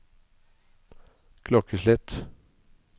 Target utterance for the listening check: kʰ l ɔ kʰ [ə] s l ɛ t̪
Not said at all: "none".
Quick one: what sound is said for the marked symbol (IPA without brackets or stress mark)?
ə